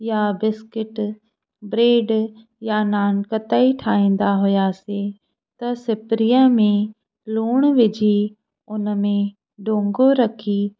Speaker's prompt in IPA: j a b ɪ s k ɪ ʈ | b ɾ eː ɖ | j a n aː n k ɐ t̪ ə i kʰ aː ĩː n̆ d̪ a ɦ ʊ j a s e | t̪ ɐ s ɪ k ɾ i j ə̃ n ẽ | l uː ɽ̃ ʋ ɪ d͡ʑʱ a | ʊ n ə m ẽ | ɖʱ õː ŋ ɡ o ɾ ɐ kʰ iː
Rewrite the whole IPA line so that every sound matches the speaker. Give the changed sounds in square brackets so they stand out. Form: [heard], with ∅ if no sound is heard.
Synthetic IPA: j a b ɪ s k ɪ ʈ | b ɾ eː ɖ | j a n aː n k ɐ t̪ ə i [ʈʰ] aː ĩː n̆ d̪ a ɦ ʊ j a s e | t̪ ɐ s ɪ [p] ɾ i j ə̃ [m] ẽ | l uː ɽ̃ ʋ ɪ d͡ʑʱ [i] | ʊ n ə m ẽ | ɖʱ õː ŋ ɡ o ɾ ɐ kʰ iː